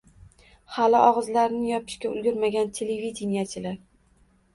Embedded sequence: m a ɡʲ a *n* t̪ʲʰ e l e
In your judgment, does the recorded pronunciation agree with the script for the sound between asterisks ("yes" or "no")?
yes